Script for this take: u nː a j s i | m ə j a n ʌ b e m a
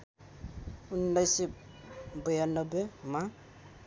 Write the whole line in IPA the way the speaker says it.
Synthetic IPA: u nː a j s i | b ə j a n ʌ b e m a